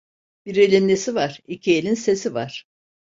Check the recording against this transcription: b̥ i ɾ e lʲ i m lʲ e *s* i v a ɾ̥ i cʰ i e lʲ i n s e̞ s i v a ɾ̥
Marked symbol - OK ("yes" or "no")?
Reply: yes